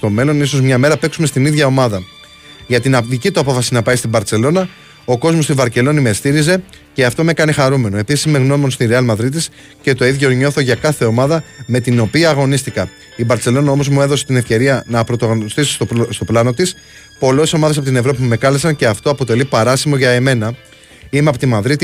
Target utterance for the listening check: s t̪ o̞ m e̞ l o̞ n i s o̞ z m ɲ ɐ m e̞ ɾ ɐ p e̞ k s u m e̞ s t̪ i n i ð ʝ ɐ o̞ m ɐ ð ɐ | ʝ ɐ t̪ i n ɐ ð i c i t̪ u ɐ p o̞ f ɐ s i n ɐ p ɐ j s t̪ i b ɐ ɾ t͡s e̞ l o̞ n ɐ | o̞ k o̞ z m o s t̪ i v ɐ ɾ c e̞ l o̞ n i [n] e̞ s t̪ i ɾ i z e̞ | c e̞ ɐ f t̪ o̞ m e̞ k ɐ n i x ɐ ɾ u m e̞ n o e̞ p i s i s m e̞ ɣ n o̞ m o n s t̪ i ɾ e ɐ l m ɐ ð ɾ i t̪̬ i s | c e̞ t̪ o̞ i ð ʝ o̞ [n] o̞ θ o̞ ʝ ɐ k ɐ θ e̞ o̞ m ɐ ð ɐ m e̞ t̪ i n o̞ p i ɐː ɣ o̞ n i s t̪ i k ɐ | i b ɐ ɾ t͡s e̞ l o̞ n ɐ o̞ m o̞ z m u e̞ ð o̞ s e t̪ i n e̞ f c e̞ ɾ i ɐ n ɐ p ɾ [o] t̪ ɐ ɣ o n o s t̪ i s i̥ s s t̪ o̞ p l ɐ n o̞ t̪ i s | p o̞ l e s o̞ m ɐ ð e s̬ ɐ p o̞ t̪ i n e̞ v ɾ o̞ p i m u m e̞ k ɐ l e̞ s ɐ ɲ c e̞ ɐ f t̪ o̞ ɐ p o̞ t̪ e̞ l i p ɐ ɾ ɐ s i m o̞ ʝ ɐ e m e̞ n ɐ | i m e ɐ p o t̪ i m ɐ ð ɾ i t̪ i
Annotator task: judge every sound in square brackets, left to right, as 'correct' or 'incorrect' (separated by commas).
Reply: incorrect, incorrect, correct